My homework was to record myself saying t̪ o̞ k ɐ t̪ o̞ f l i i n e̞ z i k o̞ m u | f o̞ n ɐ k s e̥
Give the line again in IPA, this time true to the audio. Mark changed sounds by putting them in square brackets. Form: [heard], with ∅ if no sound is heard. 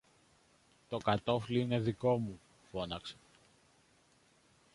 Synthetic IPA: t̪ o̞ k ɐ t̪ o̞ f l i i n e̞ [ð] i k o̞ m u | f o̞ n ɐ k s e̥